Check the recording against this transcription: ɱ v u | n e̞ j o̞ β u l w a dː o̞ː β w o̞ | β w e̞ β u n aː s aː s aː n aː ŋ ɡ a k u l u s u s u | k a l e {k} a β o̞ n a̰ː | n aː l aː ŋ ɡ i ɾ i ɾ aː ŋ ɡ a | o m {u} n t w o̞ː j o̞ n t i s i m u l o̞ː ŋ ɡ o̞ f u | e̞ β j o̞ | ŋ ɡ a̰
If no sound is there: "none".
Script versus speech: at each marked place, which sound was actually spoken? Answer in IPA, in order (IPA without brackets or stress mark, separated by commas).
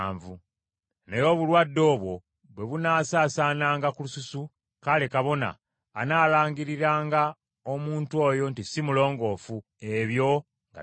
k, uː